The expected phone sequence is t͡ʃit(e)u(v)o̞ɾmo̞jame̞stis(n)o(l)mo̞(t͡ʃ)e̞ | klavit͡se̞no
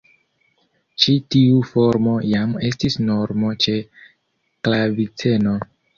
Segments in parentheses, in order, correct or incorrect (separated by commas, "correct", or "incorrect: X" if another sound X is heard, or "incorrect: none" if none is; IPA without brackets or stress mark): incorrect: i, incorrect: f, correct, incorrect: ɾ, correct